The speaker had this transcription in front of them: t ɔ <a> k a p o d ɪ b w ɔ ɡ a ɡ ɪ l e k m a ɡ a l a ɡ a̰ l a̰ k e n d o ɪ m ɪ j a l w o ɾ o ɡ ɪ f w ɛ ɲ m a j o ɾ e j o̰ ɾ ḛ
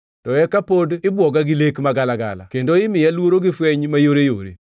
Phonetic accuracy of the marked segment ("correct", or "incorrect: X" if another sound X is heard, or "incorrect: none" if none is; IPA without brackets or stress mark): incorrect: ɛ